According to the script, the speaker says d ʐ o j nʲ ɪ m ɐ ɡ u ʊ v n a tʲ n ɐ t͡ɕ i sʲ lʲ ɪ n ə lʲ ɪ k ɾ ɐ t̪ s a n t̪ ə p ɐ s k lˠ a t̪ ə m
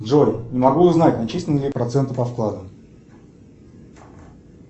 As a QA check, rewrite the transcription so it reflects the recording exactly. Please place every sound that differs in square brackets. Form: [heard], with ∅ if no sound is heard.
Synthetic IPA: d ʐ o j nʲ ɪ m ɐ ɡ u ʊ [z] n a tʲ n ɐ t͡ɕ i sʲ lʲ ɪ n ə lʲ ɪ [p] ɾ ɐ t̪ s [ɛ] n t̪ ə p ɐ [f] k lˠ a [d̪] ə m